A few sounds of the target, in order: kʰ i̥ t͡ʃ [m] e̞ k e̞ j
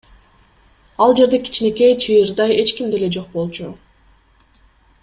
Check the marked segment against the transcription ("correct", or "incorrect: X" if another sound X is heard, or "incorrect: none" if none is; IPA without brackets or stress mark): incorrect: n